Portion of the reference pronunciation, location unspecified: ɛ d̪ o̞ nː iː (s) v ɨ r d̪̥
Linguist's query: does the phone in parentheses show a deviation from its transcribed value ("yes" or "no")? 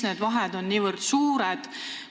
yes